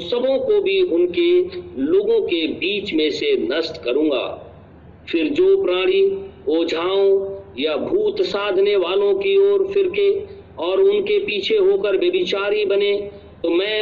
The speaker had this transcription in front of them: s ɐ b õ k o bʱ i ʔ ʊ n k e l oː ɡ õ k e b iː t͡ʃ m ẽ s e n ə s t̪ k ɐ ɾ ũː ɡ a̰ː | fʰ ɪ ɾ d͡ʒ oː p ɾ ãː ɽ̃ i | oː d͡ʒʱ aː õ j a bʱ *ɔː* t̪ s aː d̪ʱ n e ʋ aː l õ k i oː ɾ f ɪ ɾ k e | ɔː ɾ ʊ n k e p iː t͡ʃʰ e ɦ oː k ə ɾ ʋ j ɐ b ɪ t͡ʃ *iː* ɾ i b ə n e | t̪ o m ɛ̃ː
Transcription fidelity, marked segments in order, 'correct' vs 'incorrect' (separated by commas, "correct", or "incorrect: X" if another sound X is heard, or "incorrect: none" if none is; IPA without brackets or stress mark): incorrect: uː, incorrect: aː